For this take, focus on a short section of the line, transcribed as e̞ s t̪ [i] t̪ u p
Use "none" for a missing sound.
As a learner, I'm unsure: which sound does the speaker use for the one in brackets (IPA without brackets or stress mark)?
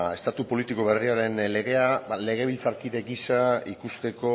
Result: a